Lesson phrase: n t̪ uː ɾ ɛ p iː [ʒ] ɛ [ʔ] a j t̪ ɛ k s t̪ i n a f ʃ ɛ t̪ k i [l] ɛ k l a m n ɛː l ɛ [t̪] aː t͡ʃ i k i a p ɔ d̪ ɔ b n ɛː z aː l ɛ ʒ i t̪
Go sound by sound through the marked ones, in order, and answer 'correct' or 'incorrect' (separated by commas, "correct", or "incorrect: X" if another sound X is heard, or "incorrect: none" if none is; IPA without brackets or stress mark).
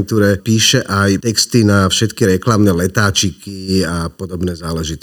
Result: incorrect: ʃ, correct, incorrect: ɾ, correct